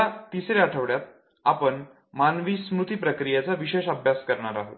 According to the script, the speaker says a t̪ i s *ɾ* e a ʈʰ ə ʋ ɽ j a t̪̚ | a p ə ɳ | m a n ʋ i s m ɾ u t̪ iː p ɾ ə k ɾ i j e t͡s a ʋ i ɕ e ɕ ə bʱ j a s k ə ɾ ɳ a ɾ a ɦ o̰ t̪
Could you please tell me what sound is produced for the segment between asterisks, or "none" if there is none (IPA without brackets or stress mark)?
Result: ɾ